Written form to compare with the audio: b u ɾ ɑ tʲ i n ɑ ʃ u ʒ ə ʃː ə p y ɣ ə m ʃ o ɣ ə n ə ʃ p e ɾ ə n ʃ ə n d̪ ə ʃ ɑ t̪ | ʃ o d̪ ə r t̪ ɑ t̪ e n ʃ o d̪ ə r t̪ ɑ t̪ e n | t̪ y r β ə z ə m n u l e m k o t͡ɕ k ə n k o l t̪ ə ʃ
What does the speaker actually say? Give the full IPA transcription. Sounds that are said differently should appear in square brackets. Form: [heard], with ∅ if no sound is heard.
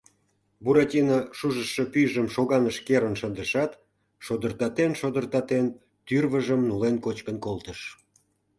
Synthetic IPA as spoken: b u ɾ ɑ tʲ i n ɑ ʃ u ʒ ə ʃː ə p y [ʒ] ə m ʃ o ɣ [ɑ] n ə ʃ [k] e ɾ ə n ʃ ə n d̪ ə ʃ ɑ t̪ | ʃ o d̪ ə r t̪ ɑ t̪ e n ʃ o d̪ ə r t̪ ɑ t̪ e n | t̪ y r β ə [ʒ] ə m n u l e [n] k o t͡ɕ k ə n k o l t̪ ə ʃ